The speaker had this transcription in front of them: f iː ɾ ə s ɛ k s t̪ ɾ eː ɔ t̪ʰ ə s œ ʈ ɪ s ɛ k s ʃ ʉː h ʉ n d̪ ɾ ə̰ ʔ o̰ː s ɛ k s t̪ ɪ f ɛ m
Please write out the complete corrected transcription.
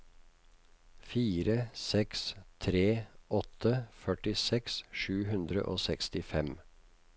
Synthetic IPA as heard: f iː ɾ ə s ɛ k s t̪ʰ ɾ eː ɔ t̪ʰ ə f œ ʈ ɪ s ɛ k s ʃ ʉː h ʉ n d̪ ɾ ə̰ ʔ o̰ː s ɛ k s t̪ ɪ f ɛ m